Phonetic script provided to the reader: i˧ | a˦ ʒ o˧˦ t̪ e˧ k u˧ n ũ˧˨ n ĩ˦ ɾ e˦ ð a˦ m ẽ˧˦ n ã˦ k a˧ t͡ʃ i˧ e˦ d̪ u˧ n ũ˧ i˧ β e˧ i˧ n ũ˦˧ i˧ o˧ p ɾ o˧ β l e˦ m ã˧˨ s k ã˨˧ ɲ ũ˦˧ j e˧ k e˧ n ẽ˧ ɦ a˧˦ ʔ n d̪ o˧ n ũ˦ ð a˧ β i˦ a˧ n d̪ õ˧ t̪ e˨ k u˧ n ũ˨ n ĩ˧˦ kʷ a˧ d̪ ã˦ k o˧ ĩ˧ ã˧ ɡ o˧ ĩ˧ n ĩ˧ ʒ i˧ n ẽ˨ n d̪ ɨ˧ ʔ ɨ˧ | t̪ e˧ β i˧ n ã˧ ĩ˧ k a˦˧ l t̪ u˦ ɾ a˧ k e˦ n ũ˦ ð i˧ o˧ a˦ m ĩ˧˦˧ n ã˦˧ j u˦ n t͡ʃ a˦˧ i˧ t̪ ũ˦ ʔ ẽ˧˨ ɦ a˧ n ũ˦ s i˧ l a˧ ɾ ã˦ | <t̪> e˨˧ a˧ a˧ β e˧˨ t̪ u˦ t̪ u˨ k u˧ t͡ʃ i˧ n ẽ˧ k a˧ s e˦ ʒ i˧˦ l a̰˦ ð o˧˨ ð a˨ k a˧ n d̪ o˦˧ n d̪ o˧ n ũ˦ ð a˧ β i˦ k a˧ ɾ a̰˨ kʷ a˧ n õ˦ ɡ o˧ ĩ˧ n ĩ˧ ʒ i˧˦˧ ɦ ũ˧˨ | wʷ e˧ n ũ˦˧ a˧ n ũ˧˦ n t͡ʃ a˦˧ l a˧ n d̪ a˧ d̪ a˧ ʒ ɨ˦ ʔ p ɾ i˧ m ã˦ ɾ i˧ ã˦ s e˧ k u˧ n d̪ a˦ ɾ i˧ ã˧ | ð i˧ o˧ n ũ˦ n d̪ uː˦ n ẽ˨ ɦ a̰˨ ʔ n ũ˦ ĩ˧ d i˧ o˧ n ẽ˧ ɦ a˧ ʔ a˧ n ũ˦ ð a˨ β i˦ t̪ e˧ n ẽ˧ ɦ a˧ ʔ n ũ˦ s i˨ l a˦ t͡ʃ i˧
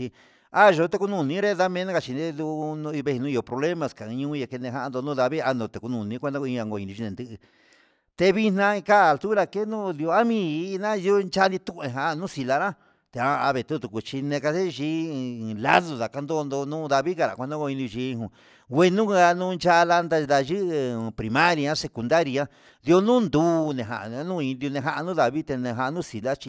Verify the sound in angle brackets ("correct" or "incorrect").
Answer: correct